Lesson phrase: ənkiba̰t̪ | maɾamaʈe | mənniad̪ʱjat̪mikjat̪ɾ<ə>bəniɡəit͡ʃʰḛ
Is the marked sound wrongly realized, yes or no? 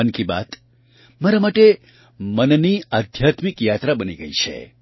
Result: yes